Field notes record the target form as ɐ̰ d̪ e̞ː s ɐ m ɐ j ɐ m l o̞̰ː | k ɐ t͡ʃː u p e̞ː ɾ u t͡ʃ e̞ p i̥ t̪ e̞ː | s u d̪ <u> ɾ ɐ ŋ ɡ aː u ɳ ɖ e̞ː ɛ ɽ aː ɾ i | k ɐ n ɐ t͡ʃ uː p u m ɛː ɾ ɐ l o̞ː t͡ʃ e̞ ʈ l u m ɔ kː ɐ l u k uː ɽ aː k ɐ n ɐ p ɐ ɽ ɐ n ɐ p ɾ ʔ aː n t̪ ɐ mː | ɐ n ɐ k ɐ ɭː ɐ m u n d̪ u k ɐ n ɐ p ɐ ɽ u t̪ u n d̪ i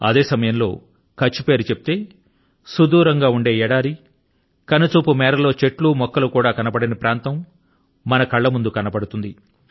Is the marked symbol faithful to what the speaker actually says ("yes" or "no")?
no